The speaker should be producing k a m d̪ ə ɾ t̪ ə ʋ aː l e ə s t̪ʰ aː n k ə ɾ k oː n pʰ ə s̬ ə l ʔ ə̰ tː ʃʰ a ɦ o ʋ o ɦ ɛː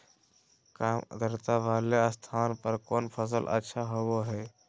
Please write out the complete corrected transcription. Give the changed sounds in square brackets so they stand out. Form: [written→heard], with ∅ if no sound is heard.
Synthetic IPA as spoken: k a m d̪ ə ɾ t̪ [ə→a] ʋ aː l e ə s t̪ʰ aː n [k→p] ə ɾ k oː n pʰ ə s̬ ə l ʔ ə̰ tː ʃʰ a ɦ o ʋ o ɦ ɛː